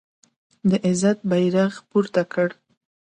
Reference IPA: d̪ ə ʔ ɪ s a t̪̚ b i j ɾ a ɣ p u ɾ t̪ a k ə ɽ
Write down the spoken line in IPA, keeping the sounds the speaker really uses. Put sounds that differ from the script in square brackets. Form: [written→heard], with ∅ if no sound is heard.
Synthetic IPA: d̪ ə ʔ ɪ [s→z] a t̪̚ b [i→a] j ɾ a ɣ p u ɾ t̪ a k ə ɽ